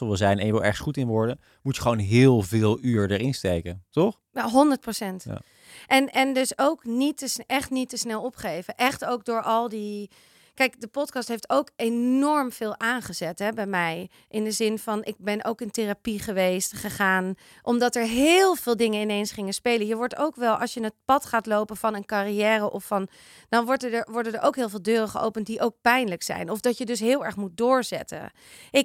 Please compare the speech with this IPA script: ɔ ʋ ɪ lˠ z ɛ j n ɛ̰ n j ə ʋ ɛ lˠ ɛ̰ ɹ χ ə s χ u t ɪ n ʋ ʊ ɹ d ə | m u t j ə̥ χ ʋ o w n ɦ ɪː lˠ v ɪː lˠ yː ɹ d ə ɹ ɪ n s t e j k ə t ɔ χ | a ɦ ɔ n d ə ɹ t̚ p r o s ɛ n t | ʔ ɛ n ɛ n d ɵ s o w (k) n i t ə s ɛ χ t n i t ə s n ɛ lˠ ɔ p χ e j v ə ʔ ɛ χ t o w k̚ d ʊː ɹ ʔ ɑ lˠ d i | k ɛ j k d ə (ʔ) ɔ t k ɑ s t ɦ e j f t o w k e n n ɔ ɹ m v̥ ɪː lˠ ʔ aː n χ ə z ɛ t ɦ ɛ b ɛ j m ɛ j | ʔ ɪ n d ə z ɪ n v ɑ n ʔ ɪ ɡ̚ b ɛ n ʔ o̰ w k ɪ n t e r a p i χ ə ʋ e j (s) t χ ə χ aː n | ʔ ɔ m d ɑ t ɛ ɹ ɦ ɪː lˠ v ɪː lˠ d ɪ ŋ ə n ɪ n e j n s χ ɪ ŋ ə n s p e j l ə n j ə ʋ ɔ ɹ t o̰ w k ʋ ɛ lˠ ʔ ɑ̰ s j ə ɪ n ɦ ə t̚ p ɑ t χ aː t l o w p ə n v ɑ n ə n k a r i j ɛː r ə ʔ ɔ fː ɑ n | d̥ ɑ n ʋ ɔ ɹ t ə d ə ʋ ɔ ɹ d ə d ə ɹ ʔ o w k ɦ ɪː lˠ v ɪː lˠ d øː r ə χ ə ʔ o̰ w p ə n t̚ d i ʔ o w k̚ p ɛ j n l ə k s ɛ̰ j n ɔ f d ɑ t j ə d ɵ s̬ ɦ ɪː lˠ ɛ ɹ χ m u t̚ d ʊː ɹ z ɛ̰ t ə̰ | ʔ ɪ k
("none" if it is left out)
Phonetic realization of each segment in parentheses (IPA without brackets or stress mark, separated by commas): k, p, s